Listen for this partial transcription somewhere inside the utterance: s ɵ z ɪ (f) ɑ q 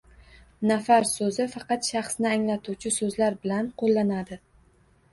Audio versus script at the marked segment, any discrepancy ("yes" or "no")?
no